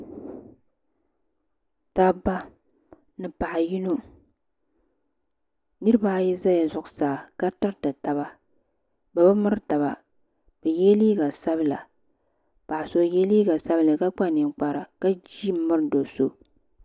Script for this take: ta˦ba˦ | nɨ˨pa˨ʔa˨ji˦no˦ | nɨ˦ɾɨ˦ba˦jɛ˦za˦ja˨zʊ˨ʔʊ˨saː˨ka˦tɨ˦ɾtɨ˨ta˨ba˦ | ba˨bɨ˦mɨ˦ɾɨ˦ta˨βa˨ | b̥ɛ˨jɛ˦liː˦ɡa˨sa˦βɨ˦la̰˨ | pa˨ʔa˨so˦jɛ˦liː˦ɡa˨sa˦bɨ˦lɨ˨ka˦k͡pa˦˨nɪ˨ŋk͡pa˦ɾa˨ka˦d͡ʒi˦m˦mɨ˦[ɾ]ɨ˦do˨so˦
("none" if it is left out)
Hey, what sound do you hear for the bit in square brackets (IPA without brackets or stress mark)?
ɾ